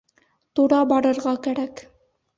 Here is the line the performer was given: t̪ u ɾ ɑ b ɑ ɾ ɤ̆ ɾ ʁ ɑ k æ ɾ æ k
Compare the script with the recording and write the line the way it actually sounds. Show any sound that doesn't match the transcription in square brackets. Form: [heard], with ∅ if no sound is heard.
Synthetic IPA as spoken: t̪ u ɾ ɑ b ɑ ɾ ɤ̆ ɾ ʁ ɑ k æ ɾ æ k

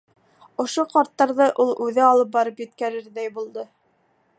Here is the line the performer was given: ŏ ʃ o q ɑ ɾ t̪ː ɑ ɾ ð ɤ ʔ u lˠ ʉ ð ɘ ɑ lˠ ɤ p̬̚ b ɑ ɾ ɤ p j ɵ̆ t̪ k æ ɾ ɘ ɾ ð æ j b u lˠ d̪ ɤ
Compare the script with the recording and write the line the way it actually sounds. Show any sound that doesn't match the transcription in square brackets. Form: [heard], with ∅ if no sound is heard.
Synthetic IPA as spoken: ŏ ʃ o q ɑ ɾ t̪ː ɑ ɾ ð ɤ ʔ u lˠ ʉ ð ɘ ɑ lˠ ɤ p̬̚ b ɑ ɾ ɤ p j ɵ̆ t̪ k æ ɾ ɘ ɾ ð æ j b u lˠ d̪ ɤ

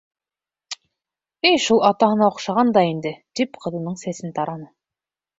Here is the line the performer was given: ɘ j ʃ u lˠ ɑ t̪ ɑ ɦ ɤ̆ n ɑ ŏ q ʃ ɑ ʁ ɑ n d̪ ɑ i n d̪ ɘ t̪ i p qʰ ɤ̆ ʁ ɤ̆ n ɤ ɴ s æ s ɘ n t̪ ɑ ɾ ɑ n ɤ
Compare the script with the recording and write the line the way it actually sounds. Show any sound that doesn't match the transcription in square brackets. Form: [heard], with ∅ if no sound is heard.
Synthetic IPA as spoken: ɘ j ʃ u lˠ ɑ t̪ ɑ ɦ ɤ̆ n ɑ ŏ q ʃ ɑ ʁ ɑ n d̪ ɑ i n d̪ ɘ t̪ i p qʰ ɤ̆ [ð] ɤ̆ n ɤ ɴ s æ s ɘ n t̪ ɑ ɾ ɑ n ɤ

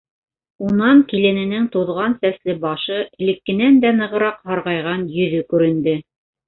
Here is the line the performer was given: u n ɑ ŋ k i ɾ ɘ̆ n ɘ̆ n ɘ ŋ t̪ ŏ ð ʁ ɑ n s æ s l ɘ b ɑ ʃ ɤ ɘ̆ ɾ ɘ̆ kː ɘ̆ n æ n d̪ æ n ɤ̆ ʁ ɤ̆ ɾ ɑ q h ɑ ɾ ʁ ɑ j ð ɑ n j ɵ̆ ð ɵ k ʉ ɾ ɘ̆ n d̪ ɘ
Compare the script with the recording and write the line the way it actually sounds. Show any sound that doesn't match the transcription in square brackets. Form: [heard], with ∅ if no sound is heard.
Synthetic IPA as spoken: u n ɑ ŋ k i [l] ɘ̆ n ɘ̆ n ɘ ŋ t̪ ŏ ð ʁ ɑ n s æ s l ɘ b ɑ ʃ ɤ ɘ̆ [l] ɘ̆ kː ɘ̆ n æ n d̪ æ n ɤ̆ ʁ ɤ̆ ɾ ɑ q h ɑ ɾ ʁ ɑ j [ʁ] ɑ n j ɵ̆ ð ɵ k ʉ ɾ ɘ̆ n d̪ ɘ

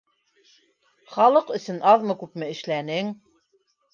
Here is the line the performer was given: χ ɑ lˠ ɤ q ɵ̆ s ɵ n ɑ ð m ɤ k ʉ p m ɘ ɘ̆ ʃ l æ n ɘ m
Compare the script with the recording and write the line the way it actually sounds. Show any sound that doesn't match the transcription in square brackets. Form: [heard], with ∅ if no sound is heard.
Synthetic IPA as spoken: χ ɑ lˠ ɤ q ɵ̆ s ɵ n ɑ ð m ɤ k ʉ p m ɘ ɘ̆ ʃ l æ n ɘ [ŋ]

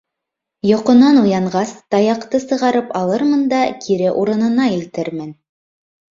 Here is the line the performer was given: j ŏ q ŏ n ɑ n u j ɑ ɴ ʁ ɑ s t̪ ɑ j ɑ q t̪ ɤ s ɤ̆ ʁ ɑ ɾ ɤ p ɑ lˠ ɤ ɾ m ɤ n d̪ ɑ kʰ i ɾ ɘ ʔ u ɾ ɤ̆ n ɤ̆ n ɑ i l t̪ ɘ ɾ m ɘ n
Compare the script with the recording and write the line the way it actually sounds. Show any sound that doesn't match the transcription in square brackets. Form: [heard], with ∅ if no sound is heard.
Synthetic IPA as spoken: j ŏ q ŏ n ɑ n u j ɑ ɴ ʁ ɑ s t̪ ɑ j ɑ q t̪ ɤ s ɤ̆ ʁ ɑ ɾ ɤ p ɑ lˠ ɤ ɾ m ɤ n d̪ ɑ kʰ i ɾ ɘ ʔ u ɾ ɤ̆ n ɤ̆ n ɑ i l t̪ ɘ ɾ m ɘ n

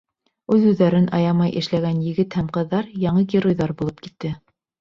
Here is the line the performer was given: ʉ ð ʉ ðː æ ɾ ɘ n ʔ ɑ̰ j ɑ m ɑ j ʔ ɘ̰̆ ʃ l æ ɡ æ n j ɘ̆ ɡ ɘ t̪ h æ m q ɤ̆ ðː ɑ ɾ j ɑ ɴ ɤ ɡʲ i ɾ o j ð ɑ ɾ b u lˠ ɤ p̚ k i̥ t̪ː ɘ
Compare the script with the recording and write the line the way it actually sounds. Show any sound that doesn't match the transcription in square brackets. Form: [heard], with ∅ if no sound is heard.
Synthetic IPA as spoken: ʉ ð ʉ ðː æ ɾ ɘ n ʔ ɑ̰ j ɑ m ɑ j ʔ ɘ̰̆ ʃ l æ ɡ æ n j ɘ̆ ɡ ɘ t̪ h æ m q ɤ̆ ðː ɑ ɾ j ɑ ɴ ɤ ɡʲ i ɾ o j ð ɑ ɾ b u lˠ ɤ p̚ k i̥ t̪ː ɘ

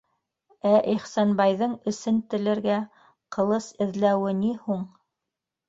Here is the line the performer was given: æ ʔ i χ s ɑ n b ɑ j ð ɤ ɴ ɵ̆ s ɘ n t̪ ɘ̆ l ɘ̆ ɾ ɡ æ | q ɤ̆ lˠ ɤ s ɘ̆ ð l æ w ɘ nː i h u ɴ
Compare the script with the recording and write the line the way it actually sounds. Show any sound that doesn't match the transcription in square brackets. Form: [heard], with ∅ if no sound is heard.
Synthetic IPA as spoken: æ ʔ i χ s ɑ n b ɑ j ð ɤ ɴ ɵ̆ s ɘ n t̪ ɘ̆ l ɘ̆ ɾ ɡ æ | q ɤ̆ lˠ ɤ s ɘ̆ ð l æ w ɘ [n] i h u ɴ

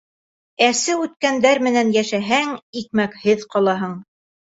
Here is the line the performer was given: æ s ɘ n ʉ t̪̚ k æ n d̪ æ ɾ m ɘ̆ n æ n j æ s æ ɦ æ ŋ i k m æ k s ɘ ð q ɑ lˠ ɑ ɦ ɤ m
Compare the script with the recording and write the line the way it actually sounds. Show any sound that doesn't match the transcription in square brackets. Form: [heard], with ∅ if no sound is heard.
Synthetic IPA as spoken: æ s ɘ [∅] ʉ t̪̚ k æ n d̪ æ ɾ m ɘ̆ n æ n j æ [ʃ] æ ɦ æ ŋ i k m æ k [h] ɘ ð q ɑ lˠ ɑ ɦ ɤ [ɴ]

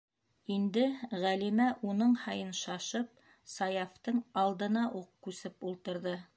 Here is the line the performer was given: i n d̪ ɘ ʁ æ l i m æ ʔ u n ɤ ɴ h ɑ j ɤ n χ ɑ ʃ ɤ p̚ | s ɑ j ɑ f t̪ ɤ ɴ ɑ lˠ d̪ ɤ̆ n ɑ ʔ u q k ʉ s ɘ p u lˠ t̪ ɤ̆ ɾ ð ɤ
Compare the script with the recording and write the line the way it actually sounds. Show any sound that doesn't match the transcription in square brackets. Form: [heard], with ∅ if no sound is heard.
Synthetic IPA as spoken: i n d̪ ɘ ʁ æ l i m æ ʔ u n ɤ ɴ h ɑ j ɤ n [ʃ] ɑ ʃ ɤ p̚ | s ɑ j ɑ f t̪ ɤ ɴ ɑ lˠ d̪ ɤ̆ n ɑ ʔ u q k ʉ s ɘ p u lˠ t̪ ɤ̆ ɾ ð ɤ

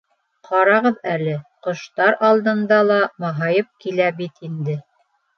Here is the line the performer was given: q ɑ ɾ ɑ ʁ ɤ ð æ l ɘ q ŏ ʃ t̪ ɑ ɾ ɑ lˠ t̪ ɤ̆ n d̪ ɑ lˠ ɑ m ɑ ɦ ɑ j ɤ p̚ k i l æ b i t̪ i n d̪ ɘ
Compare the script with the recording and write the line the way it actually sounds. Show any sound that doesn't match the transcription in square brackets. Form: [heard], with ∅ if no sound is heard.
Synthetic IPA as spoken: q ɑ ɾ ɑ ʁ ɤ ð æ l ɘ q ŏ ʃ t̪ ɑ ɾ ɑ lˠ [d̪] ɤ̆ n d̪ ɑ lˠ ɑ m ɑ ɦ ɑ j ɤ p̚ k i l æ b i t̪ i n d̪ ɘ

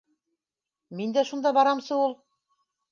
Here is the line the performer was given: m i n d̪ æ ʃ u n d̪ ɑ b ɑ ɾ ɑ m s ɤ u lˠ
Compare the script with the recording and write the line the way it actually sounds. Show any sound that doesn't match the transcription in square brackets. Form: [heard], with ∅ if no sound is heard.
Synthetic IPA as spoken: m i n d̪ æ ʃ u n d̪ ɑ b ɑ ɾ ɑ m s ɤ u lˠ

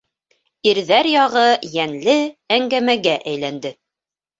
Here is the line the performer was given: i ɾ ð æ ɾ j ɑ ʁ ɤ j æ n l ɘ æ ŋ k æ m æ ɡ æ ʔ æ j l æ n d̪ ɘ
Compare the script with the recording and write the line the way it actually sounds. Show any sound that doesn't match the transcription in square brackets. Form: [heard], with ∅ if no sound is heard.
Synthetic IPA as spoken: i ɾ ð æ ɾ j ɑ ʁ ɤ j æ n l ɘ æ ŋ [ɡ] æ m æ ɡ æ ʔ æ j l æ n d̪ ɘ

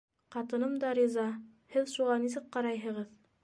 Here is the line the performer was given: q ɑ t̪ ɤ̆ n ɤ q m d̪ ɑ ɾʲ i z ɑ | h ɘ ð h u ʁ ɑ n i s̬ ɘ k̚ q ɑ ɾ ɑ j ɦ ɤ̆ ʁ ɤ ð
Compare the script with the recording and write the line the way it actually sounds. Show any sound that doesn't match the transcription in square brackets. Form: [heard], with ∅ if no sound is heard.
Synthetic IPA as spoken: q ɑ t̪ ɤ̆ n ɤ [∅] m d̪ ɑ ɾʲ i z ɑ | h ɘ ð [ʃ] u ʁ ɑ n i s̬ ɘ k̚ q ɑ ɾ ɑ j ɦ ɤ̆ ʁ ɤ ð

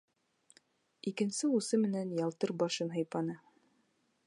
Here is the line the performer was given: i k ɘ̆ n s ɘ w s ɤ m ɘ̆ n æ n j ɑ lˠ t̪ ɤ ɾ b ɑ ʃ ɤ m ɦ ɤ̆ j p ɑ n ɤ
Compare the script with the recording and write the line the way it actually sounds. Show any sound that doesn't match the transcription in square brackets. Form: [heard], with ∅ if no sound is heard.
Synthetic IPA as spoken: i k ɘ̆ n s ɘ [u] s ɤ m ɘ̆ n æ n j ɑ lˠ t̪ ɤ ɾ b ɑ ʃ ɤ [n] ɦ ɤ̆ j p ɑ n ɤ

